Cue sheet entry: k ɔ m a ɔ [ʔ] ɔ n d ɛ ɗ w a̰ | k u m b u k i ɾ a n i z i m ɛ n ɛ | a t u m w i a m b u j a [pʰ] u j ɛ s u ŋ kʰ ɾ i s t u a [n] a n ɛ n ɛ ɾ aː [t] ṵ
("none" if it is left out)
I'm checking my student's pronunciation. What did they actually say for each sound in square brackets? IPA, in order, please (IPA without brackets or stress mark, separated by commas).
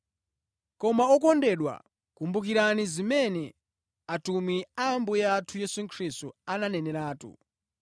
k, tʰ, n, t